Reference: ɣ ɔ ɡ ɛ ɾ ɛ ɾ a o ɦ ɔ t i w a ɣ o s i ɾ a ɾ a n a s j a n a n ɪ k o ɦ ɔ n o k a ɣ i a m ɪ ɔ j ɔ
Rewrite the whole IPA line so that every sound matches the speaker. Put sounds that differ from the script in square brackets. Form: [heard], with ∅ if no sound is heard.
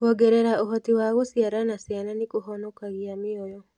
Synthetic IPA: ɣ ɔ ɡ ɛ ɾ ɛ ɾ a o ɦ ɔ t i w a ɣ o s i [∅] a ɾ a n a s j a n a n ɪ k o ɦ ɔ n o k a ɣ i a m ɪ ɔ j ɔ